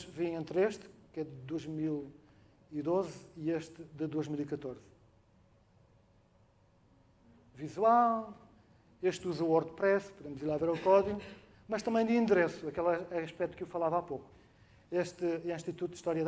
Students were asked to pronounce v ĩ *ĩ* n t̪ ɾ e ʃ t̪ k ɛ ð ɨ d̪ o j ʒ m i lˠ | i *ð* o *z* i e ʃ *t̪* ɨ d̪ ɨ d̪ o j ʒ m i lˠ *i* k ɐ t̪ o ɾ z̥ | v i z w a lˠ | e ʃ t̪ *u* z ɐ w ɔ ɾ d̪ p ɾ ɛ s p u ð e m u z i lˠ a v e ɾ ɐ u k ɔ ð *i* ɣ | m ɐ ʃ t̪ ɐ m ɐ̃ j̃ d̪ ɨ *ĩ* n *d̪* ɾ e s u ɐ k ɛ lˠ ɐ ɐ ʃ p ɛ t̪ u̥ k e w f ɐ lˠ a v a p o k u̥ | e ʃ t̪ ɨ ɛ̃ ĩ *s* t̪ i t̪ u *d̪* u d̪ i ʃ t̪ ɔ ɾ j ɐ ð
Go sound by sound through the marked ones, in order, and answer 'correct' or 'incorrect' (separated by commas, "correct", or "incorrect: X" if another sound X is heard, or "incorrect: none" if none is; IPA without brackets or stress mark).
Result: incorrect: ẽ, correct, correct, correct, correct, correct, correct, correct, correct, incorrect: ʃ, incorrect: t̪